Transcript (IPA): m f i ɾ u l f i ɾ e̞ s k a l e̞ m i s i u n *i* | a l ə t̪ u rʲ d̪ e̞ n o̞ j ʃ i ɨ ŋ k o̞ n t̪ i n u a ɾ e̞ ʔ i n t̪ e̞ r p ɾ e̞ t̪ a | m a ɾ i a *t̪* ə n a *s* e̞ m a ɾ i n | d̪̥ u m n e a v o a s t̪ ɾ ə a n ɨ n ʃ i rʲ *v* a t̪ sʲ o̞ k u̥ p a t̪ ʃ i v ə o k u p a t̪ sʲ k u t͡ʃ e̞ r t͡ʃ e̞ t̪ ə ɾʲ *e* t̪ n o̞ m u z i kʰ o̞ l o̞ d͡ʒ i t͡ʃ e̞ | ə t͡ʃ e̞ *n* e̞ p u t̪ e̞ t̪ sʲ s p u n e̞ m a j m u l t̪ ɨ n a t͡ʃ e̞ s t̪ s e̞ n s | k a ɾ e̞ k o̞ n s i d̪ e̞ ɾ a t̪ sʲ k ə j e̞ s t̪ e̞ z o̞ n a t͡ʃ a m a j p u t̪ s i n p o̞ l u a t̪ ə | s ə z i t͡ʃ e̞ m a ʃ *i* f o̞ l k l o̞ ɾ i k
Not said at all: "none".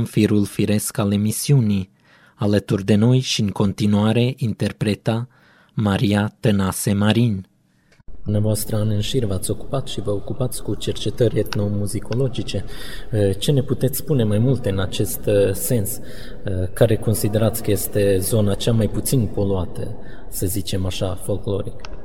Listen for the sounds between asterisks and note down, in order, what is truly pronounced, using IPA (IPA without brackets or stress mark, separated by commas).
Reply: i, t̪, s, v, e, n, a